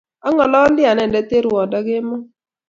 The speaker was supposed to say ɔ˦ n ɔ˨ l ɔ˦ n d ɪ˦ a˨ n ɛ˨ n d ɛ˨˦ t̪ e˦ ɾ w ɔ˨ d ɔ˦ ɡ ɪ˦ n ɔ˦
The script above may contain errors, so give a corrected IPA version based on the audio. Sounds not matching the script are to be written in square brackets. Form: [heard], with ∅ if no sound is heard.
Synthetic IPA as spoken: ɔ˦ [ŋ] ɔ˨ l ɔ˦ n d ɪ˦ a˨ n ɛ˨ n d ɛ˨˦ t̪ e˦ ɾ w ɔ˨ d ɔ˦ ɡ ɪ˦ [m] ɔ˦